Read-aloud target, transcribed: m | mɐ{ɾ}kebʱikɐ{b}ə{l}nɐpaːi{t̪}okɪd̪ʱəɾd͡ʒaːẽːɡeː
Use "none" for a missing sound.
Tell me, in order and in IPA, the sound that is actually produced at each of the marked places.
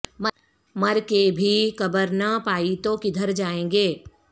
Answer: ɾ, b, ɾ, t̪

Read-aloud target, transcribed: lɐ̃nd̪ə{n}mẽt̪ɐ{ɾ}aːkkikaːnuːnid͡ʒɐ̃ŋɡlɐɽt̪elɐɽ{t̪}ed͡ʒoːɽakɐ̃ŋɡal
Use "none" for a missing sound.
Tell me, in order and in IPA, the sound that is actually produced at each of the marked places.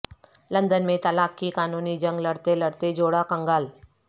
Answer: n, l, t̪

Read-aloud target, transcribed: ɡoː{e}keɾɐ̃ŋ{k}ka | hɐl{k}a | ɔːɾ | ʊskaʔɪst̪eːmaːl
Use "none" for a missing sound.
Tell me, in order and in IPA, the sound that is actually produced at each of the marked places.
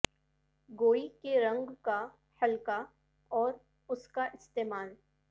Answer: i, ɡ, k

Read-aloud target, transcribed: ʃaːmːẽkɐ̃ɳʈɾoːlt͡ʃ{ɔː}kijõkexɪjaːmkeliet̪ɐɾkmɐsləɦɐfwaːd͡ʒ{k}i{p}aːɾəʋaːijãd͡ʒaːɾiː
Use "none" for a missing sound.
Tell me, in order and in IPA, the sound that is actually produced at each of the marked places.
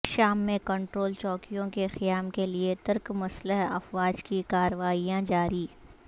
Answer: ɔː, k, k

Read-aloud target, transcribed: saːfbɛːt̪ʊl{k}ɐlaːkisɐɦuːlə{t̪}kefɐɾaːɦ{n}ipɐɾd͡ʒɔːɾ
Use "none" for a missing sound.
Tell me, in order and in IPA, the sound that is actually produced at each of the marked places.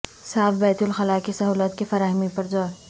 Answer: x, t̪, m

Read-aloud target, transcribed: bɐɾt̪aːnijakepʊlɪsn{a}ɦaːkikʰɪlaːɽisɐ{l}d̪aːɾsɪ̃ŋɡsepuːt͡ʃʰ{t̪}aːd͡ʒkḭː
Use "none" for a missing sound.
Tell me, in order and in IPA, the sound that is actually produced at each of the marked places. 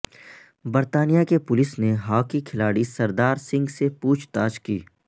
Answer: e, ɾ, t̪

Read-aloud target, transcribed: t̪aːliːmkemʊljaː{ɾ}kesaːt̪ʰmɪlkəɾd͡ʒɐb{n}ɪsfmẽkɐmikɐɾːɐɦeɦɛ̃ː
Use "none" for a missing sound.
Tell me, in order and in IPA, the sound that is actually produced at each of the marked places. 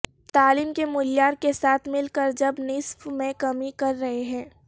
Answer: ɾ, n

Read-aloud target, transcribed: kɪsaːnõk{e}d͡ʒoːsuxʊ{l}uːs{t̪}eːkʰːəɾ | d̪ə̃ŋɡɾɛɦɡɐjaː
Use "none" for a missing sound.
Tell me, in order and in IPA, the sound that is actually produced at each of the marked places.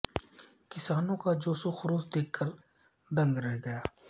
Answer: a, ɾ, d̪

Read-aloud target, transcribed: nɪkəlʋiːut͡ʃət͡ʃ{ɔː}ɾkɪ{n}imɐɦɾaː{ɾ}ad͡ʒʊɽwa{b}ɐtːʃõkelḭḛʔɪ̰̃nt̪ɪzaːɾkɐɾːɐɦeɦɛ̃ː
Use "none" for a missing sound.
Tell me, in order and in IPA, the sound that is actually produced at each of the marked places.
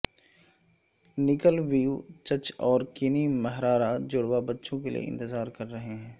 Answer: ɔː, n, ɾ, b

